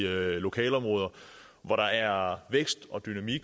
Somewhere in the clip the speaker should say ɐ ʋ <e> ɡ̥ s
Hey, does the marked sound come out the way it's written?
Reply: yes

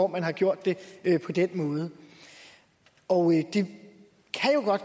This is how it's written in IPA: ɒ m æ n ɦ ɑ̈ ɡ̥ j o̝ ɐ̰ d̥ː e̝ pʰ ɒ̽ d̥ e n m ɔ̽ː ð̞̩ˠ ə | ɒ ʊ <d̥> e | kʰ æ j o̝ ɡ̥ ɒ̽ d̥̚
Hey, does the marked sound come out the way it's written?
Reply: yes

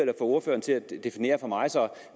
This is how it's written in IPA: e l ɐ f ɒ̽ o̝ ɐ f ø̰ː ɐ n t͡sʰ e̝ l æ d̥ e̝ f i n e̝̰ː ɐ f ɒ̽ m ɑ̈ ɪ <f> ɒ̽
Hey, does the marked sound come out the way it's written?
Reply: no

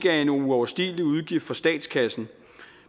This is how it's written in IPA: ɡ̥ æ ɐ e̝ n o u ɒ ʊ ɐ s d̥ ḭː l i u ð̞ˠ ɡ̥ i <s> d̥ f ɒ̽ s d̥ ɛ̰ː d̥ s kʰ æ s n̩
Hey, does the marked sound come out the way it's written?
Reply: no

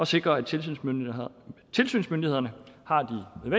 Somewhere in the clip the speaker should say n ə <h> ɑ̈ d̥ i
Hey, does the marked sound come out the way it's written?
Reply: yes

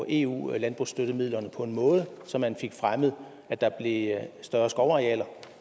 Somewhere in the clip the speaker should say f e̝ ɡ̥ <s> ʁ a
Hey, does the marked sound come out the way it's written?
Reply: no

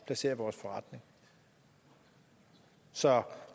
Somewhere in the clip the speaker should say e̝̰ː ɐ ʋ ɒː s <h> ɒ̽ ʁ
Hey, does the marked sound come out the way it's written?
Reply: no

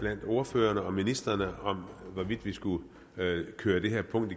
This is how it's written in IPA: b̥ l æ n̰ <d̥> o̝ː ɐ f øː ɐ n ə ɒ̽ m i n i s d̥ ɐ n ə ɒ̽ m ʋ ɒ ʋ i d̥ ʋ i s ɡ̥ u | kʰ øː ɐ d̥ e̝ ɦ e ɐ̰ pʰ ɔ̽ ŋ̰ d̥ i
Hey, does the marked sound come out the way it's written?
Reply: yes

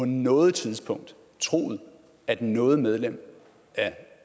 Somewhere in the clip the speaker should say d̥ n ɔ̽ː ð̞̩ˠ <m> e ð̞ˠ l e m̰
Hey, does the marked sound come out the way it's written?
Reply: yes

